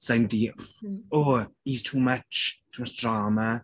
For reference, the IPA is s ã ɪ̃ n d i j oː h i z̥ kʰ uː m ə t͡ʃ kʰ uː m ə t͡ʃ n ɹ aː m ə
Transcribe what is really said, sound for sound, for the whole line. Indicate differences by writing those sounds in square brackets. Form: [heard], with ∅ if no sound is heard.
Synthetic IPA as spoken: s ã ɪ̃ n d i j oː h i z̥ [tʰ] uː m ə t͡ʃ [tʰ] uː m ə t͡ʃ [d] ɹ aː m ə